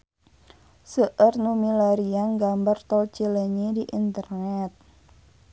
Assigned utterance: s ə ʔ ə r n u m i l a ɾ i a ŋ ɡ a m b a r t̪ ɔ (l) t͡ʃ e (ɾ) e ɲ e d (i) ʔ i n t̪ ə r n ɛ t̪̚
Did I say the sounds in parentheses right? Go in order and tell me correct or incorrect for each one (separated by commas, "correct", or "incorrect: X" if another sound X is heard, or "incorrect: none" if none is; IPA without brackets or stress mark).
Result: correct, incorrect: l, correct